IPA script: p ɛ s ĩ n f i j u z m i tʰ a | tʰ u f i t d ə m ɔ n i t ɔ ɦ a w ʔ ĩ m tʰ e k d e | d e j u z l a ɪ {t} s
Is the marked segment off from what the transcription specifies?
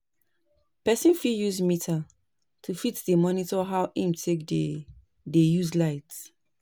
no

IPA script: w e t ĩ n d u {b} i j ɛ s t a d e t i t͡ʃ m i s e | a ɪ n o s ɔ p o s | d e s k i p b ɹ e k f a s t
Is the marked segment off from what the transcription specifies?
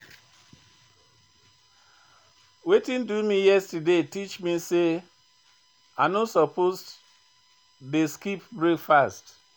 yes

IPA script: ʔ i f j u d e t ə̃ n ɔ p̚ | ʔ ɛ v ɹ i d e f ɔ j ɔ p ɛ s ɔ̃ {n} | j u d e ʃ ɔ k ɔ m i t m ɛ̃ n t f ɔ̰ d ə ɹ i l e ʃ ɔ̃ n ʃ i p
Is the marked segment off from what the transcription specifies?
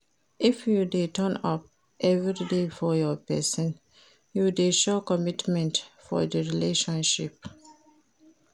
no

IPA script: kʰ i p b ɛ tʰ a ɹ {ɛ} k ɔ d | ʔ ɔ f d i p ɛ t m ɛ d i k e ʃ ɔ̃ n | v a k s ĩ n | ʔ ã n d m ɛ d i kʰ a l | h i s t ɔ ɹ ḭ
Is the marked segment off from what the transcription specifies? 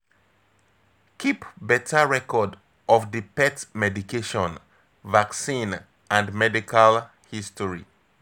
no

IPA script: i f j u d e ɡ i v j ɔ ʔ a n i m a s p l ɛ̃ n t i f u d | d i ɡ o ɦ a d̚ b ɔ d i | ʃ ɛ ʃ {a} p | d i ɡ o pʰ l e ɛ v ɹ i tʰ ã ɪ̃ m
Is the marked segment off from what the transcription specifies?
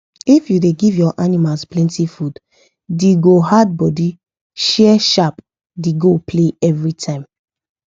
no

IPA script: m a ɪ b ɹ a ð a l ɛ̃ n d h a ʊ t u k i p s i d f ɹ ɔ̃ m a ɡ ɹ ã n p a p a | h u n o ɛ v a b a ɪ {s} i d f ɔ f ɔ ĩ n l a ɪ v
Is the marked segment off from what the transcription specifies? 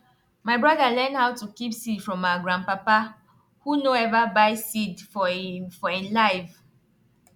no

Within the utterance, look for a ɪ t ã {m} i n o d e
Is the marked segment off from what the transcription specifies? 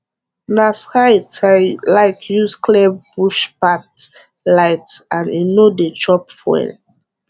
yes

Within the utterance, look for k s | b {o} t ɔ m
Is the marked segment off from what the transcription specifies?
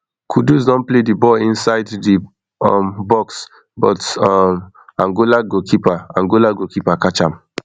yes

